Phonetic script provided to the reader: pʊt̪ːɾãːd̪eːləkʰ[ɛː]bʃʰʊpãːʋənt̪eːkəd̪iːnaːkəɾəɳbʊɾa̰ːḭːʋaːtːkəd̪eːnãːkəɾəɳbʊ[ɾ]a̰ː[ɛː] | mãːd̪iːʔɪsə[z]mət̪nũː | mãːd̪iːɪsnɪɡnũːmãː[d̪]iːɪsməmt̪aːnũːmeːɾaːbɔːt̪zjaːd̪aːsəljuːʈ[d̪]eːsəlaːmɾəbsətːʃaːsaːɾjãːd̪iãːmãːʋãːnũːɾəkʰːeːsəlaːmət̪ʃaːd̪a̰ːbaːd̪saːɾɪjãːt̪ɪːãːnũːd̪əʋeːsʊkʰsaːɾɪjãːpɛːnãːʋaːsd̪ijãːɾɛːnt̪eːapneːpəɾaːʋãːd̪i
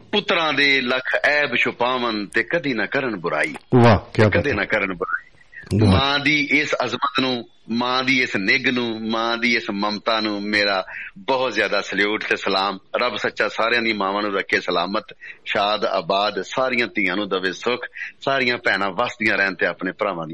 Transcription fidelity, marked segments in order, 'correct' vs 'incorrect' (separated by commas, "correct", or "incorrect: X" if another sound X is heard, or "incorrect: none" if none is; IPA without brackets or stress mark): correct, correct, incorrect: iː, correct, correct, incorrect: t̪